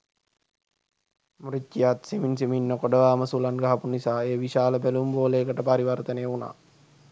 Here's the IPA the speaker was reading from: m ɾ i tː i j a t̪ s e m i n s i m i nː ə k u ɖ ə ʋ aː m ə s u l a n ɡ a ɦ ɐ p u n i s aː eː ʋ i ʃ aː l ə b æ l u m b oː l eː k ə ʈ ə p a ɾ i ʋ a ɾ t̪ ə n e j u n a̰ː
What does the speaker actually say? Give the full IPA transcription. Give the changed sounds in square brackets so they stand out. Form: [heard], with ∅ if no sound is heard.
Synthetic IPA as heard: m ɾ i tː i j a t̪ s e m i n s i m i nː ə k [o] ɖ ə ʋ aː m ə s u l a n ɡ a ɦ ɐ p u n i s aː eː ʋ i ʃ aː l ə b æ l u m b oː l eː k ə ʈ ə p a ɾ i ʋ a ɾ t̪ ə n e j u n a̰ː

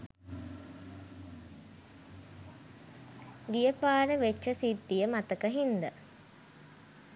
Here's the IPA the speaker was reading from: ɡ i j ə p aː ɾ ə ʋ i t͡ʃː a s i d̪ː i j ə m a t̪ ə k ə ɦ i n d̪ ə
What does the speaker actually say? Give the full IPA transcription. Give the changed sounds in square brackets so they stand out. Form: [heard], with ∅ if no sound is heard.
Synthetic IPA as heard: ɡ i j ə p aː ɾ ə ʋ [e] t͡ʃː [ə] s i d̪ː i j ə m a t̪ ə k ə ɦ i n d̪ ə

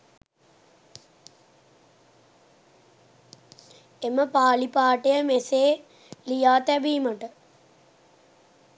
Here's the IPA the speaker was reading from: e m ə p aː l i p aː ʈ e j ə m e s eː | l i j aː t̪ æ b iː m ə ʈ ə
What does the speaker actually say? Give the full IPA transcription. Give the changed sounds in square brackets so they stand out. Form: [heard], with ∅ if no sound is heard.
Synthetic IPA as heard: e m ə p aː l i p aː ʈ e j ə m e s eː | l i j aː t̪ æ b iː m ə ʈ ə

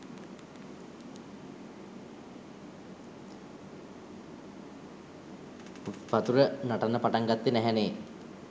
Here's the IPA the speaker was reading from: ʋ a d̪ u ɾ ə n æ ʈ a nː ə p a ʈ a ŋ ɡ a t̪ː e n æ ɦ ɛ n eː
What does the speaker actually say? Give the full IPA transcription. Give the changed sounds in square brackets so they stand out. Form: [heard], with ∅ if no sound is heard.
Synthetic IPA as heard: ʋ a [t̪] u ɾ ə n [a] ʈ a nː ə p a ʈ a ŋ ɡ a t̪ː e n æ ɦ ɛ n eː

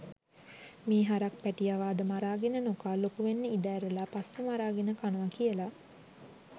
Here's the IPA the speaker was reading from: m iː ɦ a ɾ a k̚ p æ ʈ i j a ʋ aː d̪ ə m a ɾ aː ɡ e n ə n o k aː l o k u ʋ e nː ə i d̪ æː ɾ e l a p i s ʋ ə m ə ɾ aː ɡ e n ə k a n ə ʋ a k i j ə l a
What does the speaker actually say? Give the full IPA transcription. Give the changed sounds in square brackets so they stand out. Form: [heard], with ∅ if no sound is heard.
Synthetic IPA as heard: m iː ɦ a ɾ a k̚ p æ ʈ i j a ʋ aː d̪ ə m a ɾ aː ɡ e n ə n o k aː l o k u ʋ e nː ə i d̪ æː ɾ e l a p [a] s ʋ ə m [a] ɾ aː ɡ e n ə k a n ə ʋ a k i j ə l a

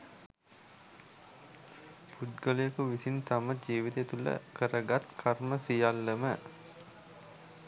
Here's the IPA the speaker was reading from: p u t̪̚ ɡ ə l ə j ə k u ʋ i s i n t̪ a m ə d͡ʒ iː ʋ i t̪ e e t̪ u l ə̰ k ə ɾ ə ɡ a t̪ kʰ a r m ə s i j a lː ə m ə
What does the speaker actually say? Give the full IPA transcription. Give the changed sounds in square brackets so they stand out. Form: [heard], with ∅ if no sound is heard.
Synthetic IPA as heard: p u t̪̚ ɡ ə l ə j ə k u ʋ i s i n t̪ a m ə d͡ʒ iː ʋ i t̪ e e t̪ u l ə̰ k ə ɾ ə ɡ a t̪ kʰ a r m ə s i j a lː ə m ə

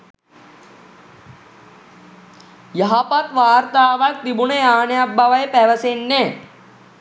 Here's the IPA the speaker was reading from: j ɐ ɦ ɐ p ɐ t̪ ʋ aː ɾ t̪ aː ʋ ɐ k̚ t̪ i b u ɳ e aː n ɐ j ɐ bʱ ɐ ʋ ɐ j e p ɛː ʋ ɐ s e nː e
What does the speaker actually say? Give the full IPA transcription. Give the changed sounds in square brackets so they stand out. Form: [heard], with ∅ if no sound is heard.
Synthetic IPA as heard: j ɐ ɦ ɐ p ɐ t̪ ʋ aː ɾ t̪ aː ʋ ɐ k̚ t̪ i b u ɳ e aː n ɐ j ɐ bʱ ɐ ʋ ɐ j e p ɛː ʋ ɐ s e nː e

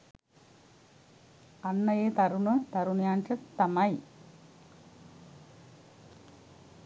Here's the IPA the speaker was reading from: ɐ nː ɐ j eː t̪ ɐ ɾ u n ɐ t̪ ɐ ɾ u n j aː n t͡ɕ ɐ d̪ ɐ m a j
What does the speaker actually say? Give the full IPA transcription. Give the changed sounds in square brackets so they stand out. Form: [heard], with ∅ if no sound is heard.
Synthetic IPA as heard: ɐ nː ɐ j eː t̪ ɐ ɾ u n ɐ t̪ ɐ ɾ u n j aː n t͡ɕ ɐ [t̪] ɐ m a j

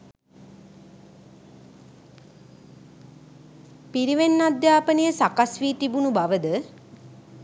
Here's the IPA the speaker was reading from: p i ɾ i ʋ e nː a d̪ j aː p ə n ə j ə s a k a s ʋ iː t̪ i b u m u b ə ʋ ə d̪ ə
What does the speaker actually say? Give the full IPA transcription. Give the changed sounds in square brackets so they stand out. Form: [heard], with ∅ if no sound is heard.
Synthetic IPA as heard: p i ɾ i ʋ e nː a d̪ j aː p ə n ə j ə s a k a s ʋ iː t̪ i b u [n] u b [a] ʋ ə d̪ ə

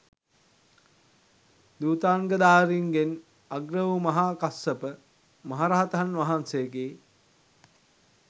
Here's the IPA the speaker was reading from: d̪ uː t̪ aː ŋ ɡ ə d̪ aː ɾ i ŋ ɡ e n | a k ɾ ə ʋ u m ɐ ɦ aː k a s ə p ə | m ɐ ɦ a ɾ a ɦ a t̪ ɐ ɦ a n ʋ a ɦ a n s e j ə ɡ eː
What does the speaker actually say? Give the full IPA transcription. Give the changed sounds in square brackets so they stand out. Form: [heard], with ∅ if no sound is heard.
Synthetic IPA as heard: d̪ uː t̪ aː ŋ ɡ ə d̪ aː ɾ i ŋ ɡ e n | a [ɡ] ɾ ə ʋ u m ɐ ɦ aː k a s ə p ə | m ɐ ɦ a ɾ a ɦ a t̪ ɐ ɦ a n ʋ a ɦ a n s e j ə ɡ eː

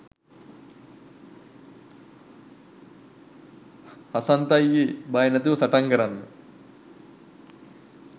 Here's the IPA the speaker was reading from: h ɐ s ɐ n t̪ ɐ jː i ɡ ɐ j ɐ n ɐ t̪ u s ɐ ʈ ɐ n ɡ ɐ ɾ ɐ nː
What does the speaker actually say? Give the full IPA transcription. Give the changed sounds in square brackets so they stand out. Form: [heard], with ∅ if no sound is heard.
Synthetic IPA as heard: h ɐ s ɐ n t̪ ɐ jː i [b] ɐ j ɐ n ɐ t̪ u s ɐ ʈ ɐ [ŋ] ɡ ɐ ɾ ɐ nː

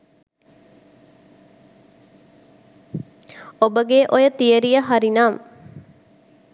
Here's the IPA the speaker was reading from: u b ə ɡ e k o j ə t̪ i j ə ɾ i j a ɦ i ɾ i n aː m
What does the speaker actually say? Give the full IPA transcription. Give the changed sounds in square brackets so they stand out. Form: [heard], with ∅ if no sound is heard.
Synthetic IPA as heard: [o] b ə ɡ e [ʔ] o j ə t̪ i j ə ɾ i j [ə] ɦ [a] ɾ i n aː m

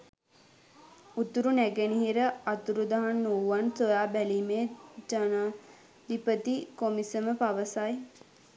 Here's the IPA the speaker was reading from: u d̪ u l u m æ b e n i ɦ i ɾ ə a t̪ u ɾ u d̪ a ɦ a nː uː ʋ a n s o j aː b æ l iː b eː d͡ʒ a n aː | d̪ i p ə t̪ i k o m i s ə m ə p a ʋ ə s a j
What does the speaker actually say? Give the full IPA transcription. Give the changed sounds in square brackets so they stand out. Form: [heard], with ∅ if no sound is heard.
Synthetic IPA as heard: u [t̪] u [ɾ] u [n] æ [ɡ] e n i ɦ i ɾ ə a t̪ u ɾ u d̪ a ɦ a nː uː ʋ a n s o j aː b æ l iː [m] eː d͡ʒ a n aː | d̪ i p ə t̪ i k o m i s ə m ə p a ʋ ə s a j

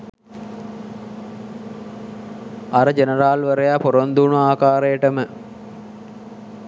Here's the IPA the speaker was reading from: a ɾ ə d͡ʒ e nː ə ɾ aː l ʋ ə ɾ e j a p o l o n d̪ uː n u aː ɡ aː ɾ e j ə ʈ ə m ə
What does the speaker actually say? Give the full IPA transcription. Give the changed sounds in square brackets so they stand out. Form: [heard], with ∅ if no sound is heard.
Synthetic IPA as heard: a ɾ ə d͡ʒ e [n] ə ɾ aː l ʋ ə ɾ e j a p o [ɾ] o n d̪ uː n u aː [k] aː ɾ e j ə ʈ ə m ə

